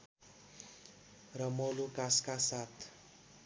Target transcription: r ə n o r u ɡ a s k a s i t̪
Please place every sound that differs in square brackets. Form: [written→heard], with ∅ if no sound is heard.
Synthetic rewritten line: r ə [n→m] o [r→l] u [ɡ→k] a s k a s [i→a] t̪